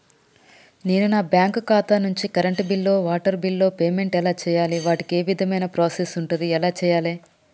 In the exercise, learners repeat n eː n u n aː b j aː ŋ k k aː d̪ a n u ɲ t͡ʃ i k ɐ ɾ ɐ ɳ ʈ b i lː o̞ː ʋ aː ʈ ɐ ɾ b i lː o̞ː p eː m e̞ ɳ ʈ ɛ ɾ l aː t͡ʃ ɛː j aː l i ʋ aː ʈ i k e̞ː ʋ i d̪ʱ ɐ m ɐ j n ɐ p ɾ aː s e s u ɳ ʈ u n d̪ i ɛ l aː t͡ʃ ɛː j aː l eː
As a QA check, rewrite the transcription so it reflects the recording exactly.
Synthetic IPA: n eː n u n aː b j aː ŋ k k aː t̪ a n u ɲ t͡ʃ i k ɐ ɾ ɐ ɳ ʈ b i lː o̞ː ʋ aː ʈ ɐ ɾ b i lː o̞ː p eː m e̞ ɳ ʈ ɛ l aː t͡ʃ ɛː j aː l i ʋ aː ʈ i k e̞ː ʋ i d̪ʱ ɐ m ɐ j n ɐ p ɾ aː s e s u ɳ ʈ u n d̪ i ɛ l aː t͡ʃ ɛː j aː l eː